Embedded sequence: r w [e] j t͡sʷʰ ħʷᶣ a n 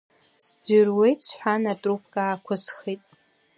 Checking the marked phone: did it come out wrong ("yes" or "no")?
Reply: no